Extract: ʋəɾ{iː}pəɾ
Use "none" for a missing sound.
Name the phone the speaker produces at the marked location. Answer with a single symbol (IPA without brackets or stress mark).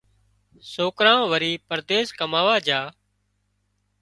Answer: iː